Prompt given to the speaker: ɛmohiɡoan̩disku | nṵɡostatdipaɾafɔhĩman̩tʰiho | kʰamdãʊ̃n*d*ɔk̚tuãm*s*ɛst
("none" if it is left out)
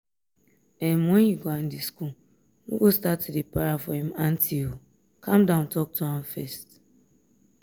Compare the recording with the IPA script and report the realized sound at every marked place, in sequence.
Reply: t, f

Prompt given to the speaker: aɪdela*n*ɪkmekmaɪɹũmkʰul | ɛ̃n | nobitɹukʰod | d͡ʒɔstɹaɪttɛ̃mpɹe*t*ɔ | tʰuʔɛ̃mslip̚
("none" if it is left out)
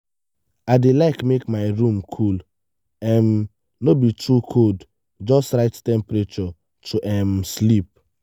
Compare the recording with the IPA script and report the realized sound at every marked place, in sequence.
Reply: none, t͡ʃ

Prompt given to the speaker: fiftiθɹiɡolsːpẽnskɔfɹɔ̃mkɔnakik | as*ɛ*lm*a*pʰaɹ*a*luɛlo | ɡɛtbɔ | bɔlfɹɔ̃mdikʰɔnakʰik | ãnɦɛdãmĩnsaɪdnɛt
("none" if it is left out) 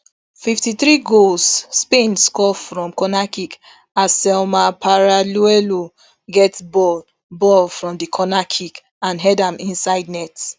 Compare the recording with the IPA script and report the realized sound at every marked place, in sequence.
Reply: ɛ, a, a

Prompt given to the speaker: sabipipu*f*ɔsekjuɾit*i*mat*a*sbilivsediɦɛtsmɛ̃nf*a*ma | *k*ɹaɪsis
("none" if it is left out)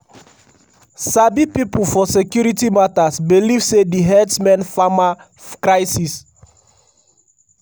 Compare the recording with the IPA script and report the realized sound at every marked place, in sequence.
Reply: f, i, a, a, k

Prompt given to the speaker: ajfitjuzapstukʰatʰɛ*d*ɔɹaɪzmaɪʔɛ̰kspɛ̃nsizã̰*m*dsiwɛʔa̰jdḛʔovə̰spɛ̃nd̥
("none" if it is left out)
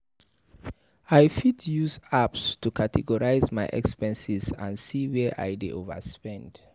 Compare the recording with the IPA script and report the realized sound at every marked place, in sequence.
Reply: ɡ, n

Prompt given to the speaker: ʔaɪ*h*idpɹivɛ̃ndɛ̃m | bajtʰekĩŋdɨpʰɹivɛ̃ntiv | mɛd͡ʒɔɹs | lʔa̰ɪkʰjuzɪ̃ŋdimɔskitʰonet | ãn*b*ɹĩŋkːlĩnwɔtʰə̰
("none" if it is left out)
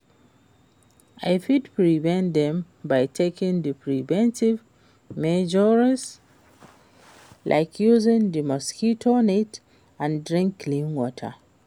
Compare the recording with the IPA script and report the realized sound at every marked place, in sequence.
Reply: f, d

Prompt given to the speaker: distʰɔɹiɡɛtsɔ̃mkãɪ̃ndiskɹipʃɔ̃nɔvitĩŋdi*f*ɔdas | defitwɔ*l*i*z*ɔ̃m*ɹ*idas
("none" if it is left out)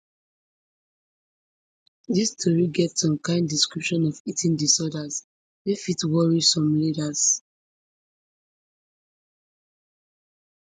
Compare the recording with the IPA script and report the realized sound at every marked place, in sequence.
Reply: s, ɹ, s, l

